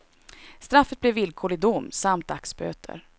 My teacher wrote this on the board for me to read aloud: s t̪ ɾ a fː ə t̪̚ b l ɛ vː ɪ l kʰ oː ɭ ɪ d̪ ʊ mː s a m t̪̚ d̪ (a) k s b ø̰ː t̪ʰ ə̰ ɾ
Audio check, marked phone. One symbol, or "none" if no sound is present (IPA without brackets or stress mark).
a